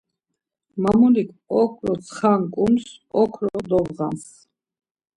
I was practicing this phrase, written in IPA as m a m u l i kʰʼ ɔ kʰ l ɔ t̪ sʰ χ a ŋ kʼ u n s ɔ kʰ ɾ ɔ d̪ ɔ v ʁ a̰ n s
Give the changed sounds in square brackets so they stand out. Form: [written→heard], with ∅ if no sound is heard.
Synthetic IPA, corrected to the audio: m a m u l i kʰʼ ɔ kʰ [l→ɾ] ɔ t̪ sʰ χ a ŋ kʼ u [n→m] s ɔ kʰ ɾ ɔ d̪ ɔ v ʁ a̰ n s